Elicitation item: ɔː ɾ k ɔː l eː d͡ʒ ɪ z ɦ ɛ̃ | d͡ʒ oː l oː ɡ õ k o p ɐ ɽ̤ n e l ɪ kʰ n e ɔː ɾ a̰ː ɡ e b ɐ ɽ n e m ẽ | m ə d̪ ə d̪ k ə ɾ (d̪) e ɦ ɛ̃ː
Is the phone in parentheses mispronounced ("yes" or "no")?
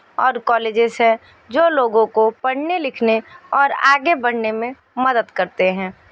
yes